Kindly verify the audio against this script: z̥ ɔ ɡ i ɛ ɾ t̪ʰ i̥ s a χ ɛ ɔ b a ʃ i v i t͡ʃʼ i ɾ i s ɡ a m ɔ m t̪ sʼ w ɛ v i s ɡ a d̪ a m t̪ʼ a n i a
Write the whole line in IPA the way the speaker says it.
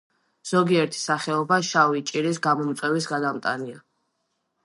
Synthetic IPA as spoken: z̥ ɔ ɡ i ɛ ɾ t̪ʰ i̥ s a χ ɛ ɔ b a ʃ a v i t͡ʃʼ i ɾ i s ɡ a m ɔ m t̪ sʼ w ɛ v i s ɡ a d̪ a m t̪ʼ a n i a

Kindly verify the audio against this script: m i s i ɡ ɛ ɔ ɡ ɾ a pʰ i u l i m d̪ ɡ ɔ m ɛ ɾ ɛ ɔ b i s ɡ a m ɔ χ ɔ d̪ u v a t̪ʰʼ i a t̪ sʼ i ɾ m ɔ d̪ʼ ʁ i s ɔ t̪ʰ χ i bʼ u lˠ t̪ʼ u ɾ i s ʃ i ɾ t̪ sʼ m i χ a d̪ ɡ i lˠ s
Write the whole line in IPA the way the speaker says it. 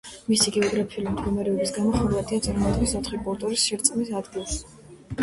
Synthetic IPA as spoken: m i s i ɡ ɛ ɔ ɡ ɾ a pʰ i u l i m d̪ ɡ ɔ m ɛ ɾ ɛ ɔ b i s ɡ a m ɔ χ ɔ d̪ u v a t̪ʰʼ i a t̪ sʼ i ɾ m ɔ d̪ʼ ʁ i s ɔ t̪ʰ χ i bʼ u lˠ t̪ʼ u ɾ i s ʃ i ɾ t̪ sʼ m i s a d̪ ɡ i lˠ s

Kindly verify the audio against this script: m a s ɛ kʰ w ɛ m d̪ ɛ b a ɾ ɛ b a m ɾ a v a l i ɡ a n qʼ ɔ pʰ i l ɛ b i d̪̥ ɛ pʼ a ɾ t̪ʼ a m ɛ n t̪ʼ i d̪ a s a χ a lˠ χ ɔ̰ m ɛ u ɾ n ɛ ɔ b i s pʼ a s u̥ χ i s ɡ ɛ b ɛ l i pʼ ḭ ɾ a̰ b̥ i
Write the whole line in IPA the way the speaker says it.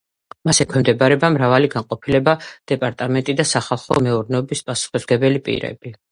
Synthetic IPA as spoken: m a s ɛ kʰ w ɛ m d̪ ɛ b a ɾ ɛ b a m ɾ a v a l i ɡ a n qʼ ɔ pʰ i l ɛ b a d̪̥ ɛ pʼ a ɾ t̪ʼ a m ɛ n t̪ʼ i d̪ a s a χ a lˠ χ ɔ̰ m ɛ u ɾ n ɛ ɔ b i s pʼ a s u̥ χ i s ɡ ɛ b ɛ l i pʼ ḭ ɾ ɛ̰ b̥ i

